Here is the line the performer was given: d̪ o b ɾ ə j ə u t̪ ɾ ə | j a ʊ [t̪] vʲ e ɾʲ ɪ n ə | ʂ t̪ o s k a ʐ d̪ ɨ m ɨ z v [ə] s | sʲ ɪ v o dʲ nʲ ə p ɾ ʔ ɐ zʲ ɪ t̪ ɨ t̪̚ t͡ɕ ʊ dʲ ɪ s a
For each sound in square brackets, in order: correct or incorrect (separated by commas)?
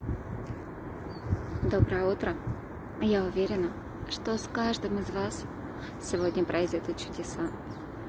incorrect, incorrect